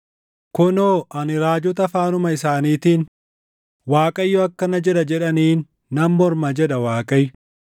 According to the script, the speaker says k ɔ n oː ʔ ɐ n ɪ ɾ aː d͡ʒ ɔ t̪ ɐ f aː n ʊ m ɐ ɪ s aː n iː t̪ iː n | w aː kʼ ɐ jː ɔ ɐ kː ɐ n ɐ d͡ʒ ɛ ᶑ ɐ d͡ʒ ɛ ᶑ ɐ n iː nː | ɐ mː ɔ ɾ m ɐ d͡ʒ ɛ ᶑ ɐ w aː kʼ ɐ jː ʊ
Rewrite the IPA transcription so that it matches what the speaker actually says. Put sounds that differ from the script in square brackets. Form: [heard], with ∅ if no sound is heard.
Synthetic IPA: k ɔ n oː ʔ ɐ n ɪ ɾ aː d͡ʒ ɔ t̪ ɐ f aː n ʊ m ɐ ɪ s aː n iː t̪ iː n | w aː kʼ ɐ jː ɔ ɐ kː ɐ n ɐ d͡ʒ ɛ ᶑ ɐ d͡ʒ ɛ ᶑ ɐ n iː nː | ɐ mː ɔ ɾ m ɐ d͡ʒ ɛ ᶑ ɐ w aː kʼ ɐ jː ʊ